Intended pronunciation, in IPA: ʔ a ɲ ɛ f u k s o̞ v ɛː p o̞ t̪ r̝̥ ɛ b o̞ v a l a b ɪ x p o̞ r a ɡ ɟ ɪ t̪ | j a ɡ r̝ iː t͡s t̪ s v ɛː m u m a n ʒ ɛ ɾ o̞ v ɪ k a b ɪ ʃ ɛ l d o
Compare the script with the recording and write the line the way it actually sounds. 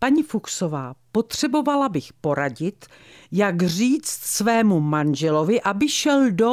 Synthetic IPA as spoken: p a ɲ i f u k s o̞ v aː p o̞ t̪ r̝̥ ɛ b o̞ v a l a b ɪ x p o̞ ɾ a ɟ ɪ t̪ | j a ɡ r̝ iː t͡s t̪ s v ɛː m u m a n ʒ ɛ l o̞ v ɪ ʔ a b ɪ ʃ ɛ l d o